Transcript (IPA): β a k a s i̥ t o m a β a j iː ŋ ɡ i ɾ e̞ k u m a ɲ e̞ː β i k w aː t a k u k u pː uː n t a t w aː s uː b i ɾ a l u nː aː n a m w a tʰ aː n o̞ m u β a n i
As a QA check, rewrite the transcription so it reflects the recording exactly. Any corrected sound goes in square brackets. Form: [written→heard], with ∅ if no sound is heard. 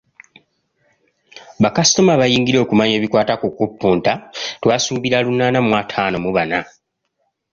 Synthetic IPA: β a k a s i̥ t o m a β a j iː ŋ ɡ i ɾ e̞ k u m a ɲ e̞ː β i k w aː t a k u k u pː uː n t a t w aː s uː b i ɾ a l u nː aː n a m w a tʰ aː n o̞ m u β a n [i→a]